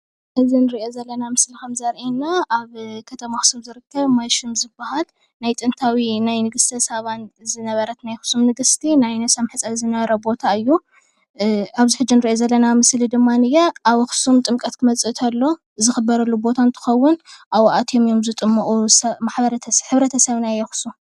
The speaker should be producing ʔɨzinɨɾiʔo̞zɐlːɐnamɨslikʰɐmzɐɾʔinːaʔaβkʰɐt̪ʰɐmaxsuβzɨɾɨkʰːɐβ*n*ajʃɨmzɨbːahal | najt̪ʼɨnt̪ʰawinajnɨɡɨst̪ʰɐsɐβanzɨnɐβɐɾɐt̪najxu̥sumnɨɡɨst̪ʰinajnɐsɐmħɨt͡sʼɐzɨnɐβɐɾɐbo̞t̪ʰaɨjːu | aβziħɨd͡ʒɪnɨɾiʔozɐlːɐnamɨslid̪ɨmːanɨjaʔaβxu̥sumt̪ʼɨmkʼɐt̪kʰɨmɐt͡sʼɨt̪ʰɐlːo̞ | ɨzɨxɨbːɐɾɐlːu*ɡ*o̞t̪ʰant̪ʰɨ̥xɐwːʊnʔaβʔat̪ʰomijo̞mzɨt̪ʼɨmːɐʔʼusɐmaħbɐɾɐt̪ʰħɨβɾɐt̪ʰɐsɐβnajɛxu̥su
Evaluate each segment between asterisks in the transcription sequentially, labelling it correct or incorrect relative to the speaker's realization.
incorrect: m, incorrect: b

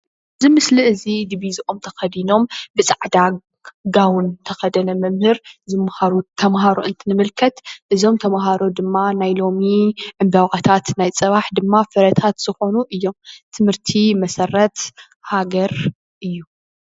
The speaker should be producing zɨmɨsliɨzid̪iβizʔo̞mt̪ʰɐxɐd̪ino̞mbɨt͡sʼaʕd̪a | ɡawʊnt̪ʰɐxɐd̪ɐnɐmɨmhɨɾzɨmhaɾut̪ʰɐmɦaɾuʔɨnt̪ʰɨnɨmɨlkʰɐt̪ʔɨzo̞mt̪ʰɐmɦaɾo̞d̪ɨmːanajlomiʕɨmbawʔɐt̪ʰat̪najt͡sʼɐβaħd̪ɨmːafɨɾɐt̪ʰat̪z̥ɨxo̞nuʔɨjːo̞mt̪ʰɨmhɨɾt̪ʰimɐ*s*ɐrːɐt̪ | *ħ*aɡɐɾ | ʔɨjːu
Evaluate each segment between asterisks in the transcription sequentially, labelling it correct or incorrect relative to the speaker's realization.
correct, incorrect: h

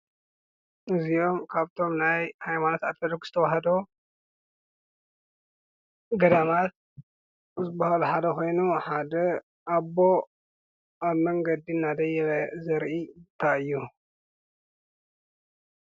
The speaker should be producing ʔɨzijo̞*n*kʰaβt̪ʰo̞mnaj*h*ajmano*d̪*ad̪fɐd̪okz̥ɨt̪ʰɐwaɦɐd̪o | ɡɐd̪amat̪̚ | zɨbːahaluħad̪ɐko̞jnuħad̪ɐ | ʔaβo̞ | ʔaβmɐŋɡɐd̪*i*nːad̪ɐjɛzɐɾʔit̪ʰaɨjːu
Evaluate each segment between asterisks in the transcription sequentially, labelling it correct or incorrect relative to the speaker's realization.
incorrect: m, correct, incorrect: t̪, correct

